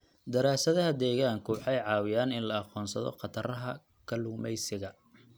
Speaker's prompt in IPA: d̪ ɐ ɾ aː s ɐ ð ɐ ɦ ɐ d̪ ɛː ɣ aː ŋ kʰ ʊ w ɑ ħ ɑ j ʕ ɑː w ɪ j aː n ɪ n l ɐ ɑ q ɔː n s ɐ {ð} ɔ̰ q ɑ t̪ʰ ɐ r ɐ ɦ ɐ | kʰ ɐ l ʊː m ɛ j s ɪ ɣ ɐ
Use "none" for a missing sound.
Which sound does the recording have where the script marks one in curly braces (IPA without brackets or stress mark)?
ð